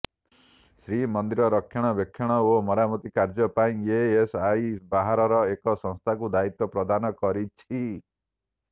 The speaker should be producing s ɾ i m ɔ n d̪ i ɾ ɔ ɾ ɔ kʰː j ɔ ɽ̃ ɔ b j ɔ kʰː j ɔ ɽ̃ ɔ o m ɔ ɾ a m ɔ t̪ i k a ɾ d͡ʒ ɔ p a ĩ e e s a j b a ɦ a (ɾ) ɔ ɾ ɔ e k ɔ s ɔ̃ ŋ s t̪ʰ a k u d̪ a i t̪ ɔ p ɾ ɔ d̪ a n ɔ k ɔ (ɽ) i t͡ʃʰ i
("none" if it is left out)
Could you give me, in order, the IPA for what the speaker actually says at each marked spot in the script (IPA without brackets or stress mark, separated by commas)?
ɾ, ɾ